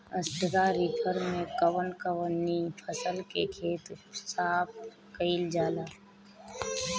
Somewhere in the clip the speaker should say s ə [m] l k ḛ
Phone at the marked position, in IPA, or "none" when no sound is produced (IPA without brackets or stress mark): none